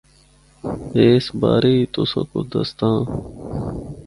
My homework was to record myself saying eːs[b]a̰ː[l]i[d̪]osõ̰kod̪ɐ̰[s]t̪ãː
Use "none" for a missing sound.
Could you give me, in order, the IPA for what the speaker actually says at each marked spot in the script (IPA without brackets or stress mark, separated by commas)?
b, ɾ, t̪, s